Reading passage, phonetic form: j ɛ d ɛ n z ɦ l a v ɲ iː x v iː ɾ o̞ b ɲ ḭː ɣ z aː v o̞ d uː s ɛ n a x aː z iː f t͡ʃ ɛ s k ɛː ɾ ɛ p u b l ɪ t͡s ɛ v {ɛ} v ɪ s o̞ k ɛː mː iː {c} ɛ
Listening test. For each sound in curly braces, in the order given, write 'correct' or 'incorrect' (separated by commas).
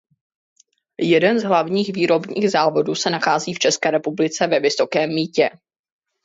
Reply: correct, correct